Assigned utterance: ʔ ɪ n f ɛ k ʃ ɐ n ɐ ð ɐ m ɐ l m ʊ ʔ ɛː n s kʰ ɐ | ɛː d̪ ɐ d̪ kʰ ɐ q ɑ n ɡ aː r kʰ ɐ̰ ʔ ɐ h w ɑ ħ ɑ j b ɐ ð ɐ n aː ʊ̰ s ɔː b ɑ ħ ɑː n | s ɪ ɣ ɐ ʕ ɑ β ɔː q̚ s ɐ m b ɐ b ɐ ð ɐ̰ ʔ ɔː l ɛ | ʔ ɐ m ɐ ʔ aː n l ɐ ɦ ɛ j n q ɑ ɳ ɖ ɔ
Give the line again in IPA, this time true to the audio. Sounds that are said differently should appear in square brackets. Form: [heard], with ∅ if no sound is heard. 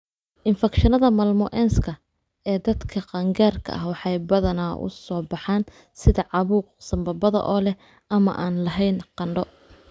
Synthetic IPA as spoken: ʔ ɪ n f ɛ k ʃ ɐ n ɐ ð ɐ m ɐ l m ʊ ʔ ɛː n s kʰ ɐ | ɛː d̪ ɐ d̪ kʰ ɐ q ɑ [ŋ] ɡ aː r kʰ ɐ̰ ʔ ɐ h w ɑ ħ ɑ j b ɐ ð ɐ n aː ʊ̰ s ɔː b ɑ ħ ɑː n | s ɪ [ð] ɐ ʕ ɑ β [uː] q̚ s ɐ m b ɐ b ɐ ð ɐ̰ ʔ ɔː l ɛ | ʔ ɐ m ɐ ʔ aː n l ɐ ɦ ɛ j n q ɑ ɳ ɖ ɔ